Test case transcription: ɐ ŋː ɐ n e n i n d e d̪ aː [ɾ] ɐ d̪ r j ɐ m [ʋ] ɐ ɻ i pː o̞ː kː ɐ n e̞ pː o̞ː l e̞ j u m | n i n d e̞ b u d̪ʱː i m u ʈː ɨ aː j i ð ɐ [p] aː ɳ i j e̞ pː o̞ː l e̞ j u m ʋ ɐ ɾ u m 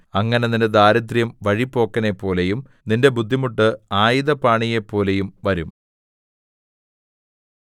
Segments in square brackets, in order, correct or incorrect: correct, correct, correct

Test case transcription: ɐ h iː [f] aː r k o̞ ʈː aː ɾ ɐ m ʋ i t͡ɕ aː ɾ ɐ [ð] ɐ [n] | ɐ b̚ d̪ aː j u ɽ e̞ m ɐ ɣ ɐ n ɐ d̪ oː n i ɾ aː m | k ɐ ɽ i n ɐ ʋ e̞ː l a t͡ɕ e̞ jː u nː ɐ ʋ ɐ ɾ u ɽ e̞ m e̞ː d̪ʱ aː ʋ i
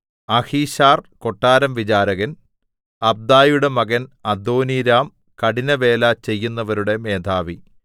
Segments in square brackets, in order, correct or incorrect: incorrect: ɕ, incorrect: ɣ, correct

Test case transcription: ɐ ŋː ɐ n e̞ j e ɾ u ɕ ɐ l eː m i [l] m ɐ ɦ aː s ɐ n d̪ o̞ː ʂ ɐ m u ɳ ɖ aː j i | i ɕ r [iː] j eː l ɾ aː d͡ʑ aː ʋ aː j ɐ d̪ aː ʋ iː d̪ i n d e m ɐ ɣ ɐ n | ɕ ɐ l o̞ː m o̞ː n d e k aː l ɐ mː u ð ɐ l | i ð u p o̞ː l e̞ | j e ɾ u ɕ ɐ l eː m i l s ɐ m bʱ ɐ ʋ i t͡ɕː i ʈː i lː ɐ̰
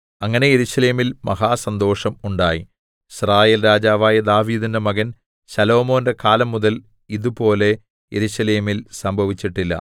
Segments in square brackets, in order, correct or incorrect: correct, incorrect: aː

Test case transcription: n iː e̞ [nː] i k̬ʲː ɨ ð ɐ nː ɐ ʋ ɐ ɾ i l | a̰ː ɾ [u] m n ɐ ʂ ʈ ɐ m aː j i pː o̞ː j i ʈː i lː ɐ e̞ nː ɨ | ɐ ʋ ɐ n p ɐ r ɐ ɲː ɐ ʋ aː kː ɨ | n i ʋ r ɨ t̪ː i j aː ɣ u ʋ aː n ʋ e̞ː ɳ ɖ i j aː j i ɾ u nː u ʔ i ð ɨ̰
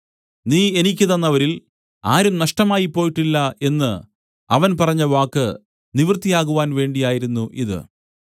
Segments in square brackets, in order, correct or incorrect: incorrect: n, correct

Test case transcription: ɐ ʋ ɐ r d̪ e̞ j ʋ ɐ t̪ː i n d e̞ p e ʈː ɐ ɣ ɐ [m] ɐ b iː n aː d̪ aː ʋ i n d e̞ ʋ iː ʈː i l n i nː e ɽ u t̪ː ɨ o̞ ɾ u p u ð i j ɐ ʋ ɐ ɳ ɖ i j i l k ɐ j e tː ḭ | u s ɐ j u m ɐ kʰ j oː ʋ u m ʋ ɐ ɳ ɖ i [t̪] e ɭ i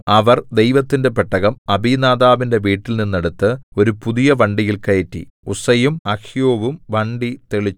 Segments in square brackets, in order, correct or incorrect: correct, correct

